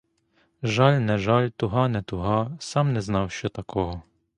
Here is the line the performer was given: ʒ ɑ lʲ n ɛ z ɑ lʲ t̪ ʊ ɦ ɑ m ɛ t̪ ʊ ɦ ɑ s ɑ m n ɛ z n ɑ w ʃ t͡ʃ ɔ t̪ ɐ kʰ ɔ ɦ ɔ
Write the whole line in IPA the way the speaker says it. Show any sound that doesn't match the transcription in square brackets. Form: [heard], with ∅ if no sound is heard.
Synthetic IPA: ʒ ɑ lʲ n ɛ [ʒ] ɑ lʲ t̪ ʊ ɦ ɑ [n] ɛ t̪ ʊ ɦ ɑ s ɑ m n ɛ z n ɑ w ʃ t͡ʃ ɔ t̪ ɐ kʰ ɔ ɦ ɔ